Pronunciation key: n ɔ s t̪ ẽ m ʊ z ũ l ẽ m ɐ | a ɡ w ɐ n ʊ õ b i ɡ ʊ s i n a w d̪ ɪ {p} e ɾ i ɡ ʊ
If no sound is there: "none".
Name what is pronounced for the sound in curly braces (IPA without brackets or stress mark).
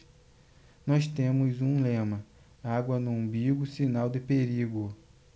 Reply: p